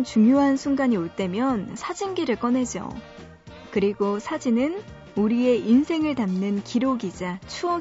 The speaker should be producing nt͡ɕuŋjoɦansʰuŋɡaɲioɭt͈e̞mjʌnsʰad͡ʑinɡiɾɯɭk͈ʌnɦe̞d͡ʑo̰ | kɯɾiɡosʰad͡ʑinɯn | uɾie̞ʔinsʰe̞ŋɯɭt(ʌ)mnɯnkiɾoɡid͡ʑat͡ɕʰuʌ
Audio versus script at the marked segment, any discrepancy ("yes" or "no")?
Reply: yes